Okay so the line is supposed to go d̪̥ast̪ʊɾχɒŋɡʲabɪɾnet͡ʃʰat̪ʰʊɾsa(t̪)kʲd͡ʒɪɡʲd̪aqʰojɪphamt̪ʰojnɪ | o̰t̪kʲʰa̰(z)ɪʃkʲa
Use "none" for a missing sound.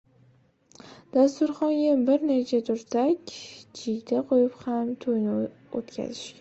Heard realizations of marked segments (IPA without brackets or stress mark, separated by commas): none, z